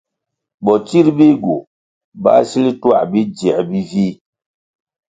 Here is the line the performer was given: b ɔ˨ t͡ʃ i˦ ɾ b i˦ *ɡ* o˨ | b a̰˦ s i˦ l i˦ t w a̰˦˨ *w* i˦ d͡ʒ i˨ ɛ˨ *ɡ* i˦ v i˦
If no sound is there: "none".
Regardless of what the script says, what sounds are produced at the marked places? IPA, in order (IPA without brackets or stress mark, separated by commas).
ɡ, b, b